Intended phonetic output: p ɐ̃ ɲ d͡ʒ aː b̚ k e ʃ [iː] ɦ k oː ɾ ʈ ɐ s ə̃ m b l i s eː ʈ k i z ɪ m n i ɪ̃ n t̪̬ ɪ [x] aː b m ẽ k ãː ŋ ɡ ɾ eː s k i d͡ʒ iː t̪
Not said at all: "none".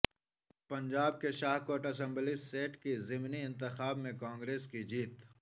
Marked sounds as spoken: aː, x

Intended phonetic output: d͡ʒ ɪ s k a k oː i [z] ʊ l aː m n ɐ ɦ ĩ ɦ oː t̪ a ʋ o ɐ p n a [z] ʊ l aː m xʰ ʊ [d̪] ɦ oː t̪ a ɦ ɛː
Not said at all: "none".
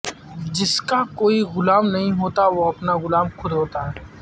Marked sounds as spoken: ɣ, ɣ, d̪

